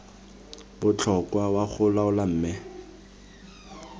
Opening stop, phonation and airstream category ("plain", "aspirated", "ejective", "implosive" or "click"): plain